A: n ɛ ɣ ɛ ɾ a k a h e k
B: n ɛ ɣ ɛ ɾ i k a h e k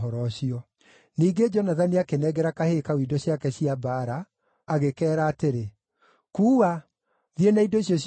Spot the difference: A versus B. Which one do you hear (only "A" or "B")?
A